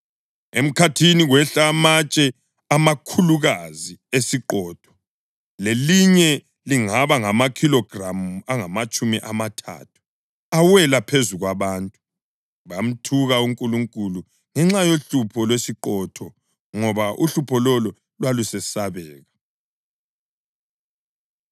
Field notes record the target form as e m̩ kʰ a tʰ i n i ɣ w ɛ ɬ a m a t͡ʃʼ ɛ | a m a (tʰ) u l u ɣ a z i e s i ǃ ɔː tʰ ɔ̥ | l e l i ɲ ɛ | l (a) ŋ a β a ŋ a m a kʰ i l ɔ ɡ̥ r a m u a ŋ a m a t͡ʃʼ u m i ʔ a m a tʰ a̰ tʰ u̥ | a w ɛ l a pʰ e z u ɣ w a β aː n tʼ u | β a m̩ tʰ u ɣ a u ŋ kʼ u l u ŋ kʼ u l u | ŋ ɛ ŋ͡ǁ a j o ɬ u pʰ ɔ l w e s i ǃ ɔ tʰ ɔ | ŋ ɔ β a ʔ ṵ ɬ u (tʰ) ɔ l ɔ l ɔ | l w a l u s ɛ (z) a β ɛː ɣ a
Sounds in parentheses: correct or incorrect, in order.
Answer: incorrect, incorrect, incorrect, incorrect

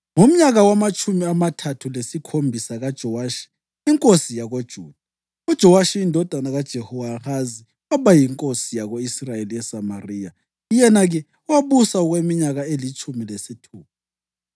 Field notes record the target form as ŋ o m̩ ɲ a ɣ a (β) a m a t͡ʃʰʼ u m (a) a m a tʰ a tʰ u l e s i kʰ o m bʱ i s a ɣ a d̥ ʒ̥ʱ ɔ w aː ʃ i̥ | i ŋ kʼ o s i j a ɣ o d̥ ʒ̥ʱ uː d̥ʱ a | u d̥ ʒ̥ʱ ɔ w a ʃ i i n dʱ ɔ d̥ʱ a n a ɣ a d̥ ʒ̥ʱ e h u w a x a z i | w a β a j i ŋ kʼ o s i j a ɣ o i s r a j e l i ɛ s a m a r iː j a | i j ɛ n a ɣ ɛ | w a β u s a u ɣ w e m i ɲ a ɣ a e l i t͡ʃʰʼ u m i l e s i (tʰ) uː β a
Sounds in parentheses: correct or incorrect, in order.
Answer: incorrect, incorrect, correct

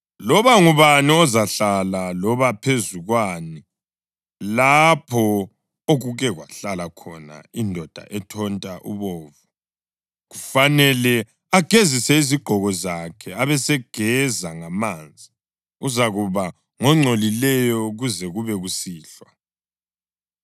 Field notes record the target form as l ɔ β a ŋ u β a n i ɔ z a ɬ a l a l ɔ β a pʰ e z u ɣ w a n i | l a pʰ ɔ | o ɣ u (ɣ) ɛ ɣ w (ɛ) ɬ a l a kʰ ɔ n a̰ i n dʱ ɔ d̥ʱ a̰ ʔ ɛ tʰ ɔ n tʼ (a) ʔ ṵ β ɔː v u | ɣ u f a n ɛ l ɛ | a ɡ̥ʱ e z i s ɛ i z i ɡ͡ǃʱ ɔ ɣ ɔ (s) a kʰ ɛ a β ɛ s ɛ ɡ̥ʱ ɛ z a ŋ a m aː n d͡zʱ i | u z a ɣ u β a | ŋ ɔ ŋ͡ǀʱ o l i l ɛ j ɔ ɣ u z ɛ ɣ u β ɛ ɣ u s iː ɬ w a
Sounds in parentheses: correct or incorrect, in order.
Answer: correct, incorrect, correct, incorrect

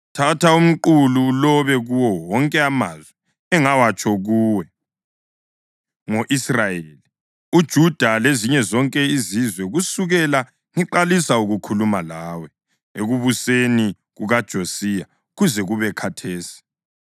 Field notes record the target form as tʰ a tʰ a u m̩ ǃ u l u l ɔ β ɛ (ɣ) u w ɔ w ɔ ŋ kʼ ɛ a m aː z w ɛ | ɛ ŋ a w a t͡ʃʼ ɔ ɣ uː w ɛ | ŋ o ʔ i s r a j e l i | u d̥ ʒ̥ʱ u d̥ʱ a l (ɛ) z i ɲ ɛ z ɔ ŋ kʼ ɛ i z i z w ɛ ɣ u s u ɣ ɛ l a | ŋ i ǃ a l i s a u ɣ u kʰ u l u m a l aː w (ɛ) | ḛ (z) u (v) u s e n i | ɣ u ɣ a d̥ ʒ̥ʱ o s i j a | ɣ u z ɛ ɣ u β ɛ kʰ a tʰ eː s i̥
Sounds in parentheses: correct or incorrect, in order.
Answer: correct, incorrect, correct, incorrect, incorrect

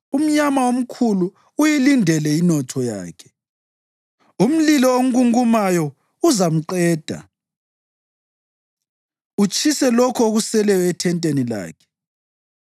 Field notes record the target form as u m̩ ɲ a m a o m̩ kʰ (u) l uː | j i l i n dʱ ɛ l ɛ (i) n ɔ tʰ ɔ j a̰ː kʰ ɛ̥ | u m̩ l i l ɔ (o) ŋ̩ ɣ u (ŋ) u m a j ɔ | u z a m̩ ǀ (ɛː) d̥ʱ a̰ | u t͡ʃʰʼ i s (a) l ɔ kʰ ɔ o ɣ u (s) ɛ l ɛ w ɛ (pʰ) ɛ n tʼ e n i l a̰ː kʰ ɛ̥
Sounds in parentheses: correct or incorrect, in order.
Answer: correct, correct, correct, correct, correct, incorrect, correct, incorrect

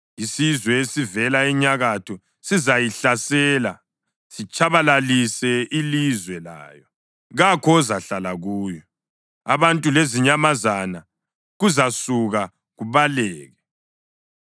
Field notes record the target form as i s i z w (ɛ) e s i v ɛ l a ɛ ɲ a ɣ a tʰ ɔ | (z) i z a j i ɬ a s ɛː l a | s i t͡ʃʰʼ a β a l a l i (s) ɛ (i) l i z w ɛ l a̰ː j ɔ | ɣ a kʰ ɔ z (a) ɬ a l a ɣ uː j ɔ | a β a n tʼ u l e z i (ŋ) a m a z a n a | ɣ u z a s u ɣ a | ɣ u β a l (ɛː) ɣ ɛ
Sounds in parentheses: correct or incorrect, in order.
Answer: correct, incorrect, correct, correct, correct, incorrect, correct

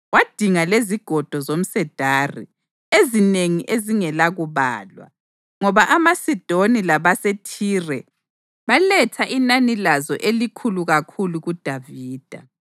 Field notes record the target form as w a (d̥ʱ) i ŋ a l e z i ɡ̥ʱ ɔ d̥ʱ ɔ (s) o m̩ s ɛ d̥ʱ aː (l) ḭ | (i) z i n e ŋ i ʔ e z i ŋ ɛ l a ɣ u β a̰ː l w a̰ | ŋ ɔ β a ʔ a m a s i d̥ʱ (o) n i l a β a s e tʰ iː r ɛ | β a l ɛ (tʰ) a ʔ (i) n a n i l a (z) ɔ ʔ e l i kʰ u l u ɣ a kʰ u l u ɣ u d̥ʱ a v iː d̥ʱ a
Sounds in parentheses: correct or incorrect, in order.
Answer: correct, incorrect, incorrect, incorrect, correct, correct, correct, correct

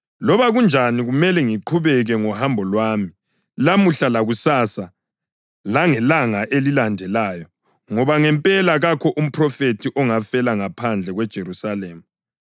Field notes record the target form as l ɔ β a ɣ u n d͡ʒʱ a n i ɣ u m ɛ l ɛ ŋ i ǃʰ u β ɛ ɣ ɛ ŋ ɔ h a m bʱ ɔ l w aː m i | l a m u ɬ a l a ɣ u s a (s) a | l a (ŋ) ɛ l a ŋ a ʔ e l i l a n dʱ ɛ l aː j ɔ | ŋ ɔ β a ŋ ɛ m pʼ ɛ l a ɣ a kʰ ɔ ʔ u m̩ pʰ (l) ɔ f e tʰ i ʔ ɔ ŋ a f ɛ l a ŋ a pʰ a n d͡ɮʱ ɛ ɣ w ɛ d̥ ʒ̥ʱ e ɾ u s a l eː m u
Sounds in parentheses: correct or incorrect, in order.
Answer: correct, correct, incorrect

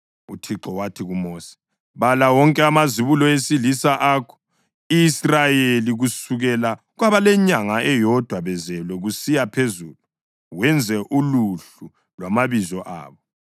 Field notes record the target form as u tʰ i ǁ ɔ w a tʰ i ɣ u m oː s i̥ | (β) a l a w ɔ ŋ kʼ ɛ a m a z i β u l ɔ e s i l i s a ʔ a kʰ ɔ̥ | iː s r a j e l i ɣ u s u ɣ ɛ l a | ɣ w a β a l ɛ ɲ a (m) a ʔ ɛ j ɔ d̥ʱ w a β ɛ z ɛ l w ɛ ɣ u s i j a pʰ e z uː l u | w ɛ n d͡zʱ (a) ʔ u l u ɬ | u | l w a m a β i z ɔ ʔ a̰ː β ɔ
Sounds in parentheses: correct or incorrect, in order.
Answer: correct, incorrect, incorrect

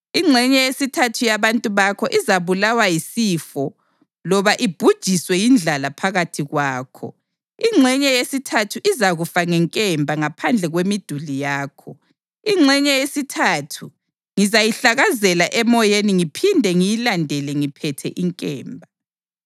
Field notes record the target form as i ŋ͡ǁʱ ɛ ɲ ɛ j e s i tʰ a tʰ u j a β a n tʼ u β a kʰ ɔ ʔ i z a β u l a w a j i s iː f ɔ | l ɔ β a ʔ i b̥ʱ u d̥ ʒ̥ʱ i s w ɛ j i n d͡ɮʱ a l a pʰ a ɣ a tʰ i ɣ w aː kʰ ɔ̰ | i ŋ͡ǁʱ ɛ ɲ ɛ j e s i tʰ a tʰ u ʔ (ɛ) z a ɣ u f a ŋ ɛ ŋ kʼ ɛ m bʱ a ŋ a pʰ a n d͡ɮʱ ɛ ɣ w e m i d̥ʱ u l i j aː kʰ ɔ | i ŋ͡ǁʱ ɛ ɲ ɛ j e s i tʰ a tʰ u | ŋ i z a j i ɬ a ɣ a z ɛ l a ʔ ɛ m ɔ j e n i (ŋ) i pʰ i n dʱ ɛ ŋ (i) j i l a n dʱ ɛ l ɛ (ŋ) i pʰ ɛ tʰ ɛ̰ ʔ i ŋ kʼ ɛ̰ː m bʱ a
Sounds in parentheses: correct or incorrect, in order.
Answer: incorrect, correct, correct, correct

